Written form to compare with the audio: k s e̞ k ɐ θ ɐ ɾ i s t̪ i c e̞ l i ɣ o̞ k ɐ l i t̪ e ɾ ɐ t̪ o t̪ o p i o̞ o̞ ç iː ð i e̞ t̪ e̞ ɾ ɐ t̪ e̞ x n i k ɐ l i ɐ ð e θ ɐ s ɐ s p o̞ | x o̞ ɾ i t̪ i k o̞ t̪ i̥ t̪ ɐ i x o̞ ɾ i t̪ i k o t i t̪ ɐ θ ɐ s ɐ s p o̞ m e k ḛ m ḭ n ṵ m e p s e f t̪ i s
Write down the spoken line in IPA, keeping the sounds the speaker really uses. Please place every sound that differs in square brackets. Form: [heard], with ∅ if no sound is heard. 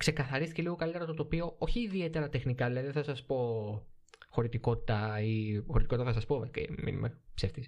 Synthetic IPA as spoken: k s e̞ k ɐ θ ɐ ɾ i s t̪ i c e̞ l i ɣ o̞ k ɐ l i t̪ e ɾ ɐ t̪ o t̪ o p i o̞ o̞ ç iː ð i e̞ t̪ e̞ ɾ ɐ t̪ e̞ x n i k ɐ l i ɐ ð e θ ɐ s ɐ s p o̞ | x o̞ ɾ i t̪ i k o̞ t̪ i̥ t̪ ɐ i x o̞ ɾ i t̪ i k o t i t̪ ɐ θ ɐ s ɐ s p o̞ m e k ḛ m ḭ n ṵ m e p s e f t̪ i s